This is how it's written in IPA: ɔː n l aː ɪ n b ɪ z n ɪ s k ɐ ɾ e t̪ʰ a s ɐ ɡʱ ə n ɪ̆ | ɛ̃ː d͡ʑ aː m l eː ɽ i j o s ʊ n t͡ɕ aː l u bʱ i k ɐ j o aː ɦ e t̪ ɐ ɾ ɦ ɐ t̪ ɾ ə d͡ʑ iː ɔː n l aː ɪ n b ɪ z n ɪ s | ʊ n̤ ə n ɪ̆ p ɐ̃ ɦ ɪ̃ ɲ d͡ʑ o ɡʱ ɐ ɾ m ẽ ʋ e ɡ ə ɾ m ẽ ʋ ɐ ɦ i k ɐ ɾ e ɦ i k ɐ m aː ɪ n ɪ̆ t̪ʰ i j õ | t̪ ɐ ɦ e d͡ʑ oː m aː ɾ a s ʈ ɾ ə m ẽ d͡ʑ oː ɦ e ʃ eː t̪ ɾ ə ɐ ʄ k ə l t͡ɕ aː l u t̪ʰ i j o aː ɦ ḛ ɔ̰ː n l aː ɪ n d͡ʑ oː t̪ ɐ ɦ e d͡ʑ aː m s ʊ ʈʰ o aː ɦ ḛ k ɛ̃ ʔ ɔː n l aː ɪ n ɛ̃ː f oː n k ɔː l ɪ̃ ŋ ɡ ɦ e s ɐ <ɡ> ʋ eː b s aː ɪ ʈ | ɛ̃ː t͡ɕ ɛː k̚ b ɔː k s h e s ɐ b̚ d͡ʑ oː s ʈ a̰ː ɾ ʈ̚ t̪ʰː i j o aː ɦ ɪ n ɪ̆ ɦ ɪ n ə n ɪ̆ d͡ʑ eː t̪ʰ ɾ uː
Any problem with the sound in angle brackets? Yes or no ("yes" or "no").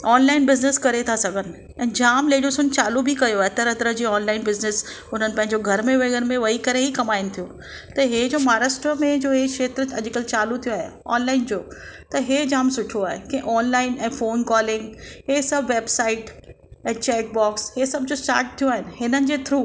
yes